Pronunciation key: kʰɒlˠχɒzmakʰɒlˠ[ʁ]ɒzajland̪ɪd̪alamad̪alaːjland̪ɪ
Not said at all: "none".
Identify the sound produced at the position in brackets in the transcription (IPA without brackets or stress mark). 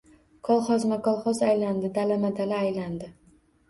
χ